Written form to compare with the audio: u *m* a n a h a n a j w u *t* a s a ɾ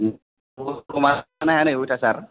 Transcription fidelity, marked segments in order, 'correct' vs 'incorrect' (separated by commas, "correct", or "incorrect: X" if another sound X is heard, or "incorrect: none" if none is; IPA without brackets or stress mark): correct, correct